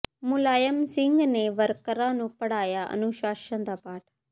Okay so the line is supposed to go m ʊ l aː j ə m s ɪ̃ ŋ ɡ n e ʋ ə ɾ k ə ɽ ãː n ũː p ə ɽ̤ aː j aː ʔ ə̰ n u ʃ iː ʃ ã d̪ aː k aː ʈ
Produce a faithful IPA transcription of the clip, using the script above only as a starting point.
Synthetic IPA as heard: m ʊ l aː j ə m s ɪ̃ ŋ ɡ n e ʋ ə ɾ k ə ɾ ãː n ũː p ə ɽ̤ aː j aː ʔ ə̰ n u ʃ aː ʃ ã d̪ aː p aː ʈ